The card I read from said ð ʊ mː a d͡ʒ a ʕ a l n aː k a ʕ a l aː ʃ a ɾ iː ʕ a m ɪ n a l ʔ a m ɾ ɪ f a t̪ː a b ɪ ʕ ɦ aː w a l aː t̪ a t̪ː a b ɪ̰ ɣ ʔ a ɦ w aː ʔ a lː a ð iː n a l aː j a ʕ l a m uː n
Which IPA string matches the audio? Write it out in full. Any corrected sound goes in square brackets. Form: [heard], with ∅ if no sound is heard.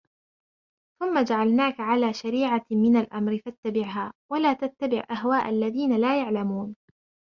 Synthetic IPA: [θ] ʊ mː a d͡ʒ a ʕ a l n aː k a ʕ a l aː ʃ a ɾ iː ʕ a m ɪ n a l ʔ a m ɾ ɪ f a t̪ː a b ɪ ʕ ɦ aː w a l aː t̪ a t̪ː a b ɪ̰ [ʕ] ʔ a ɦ w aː ʔ a lː a ð iː n a l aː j a ʕ l a m uː n

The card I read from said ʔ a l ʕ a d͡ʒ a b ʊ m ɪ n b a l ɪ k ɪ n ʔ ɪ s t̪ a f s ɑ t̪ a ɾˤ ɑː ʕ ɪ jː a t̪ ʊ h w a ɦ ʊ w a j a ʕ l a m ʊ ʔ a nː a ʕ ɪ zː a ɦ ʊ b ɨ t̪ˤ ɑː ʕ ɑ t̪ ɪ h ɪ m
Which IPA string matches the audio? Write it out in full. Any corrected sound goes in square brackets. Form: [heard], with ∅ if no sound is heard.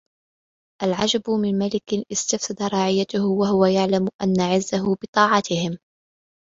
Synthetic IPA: ʔ a l ʕ a d͡ʒ a b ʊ m ɪ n [m] a l ɪ k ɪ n ʔ ɪ s t̪ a f s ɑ [d̪] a ɾˤ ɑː ʕ ɪ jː a t̪ ʊ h w a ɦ ʊ w a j a ʕ l a m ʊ ʔ a nː a ʕ ɪ zː a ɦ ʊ b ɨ t̪ˤ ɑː ʕ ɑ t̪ ɪ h ɪ m

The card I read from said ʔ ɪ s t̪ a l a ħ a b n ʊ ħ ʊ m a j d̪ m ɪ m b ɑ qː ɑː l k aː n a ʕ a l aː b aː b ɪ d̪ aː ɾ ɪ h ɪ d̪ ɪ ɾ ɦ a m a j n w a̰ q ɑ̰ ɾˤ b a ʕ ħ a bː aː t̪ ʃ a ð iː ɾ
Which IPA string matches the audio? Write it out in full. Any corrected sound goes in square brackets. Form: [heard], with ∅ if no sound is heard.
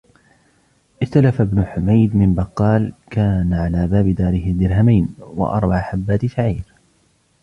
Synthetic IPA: ʔ ɪ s t̪ a l a [f] a b n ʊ ħ ʊ m a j d̪ m ɪ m b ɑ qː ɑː l k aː n a ʕ a l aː b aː b ɪ d̪ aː ɾ ɪ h ɪ d̪ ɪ ɾ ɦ a m a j n w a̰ [ʔ] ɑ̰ ɾˤ b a ʕ ħ a bː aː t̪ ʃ a [ʕ] iː ɾ

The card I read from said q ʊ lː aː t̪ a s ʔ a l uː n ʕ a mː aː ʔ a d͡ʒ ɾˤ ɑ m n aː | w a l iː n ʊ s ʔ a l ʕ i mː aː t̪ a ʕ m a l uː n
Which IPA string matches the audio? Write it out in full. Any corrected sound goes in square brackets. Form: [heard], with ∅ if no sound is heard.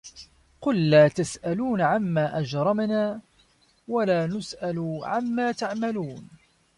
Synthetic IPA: q ʊ lː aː t̪ a s ʔ a l uː n ʕ a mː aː ʔ a d͡ʒ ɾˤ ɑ m n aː | w a l [aː] n ʊ s ʔ a l ʕ [a] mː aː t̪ a ʕ m a l uː n

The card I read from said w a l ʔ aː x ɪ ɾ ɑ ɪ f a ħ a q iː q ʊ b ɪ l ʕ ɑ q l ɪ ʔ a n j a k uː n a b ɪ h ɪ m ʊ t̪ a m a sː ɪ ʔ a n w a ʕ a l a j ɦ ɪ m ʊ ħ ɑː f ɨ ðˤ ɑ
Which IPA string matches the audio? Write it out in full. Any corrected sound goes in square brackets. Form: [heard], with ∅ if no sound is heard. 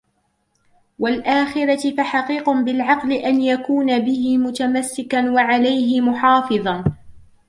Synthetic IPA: w a l ʔ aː x ɪ ɾ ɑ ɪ f a ħ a q iː q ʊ b ɪ l ʕ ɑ q l ɪ ʔ a n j a k uː n a b ɪ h ɪ m ʊ t̪ a m a sː ɪ [k] a n w a ʕ a l a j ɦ ɪ m ʊ ħ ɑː f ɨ ðˤ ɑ

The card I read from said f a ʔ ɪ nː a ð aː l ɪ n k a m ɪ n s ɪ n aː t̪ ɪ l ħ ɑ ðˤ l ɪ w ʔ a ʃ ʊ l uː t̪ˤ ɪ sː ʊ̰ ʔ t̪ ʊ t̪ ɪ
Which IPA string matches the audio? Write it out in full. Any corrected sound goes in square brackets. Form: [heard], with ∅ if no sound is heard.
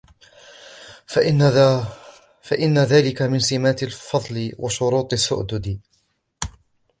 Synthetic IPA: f a ʔ ɪ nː a ð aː l ɪ [∅] k a m ɪ n s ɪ [m] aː t̪ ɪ l [f] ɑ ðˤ l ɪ w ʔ a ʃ ʊ [ɾ] uː t̪ˤ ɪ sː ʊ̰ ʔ [d̪] ʊ [d̪] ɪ

